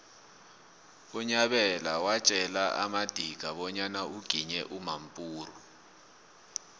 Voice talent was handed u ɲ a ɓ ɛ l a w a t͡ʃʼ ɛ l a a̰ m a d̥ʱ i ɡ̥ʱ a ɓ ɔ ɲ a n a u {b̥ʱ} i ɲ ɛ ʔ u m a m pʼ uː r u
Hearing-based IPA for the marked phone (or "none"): ɡ̥ʱ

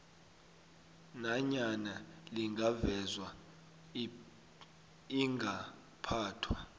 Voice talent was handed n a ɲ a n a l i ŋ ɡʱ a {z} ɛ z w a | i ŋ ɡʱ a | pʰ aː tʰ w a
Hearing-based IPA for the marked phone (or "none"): v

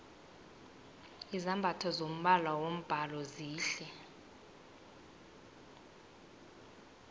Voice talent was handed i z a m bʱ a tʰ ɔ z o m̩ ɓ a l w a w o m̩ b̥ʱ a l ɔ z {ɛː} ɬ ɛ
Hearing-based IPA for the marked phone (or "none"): iː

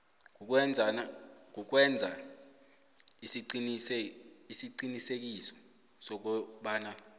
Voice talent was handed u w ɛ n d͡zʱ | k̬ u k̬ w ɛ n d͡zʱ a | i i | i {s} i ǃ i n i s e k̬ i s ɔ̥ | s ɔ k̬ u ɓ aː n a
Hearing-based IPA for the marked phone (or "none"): s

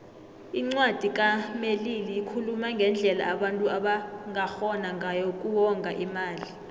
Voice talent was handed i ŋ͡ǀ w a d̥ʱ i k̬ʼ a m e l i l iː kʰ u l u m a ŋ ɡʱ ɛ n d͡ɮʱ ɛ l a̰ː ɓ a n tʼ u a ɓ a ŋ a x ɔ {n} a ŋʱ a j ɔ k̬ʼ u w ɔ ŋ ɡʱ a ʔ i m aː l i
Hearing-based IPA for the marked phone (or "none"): n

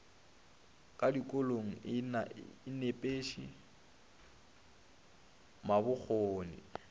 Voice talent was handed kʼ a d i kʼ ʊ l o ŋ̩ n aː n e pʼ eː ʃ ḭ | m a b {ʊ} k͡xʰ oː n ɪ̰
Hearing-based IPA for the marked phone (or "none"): ʊ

